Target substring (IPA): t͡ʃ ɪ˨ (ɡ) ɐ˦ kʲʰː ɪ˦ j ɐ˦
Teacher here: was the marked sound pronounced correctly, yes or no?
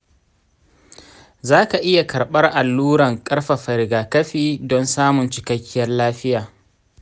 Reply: no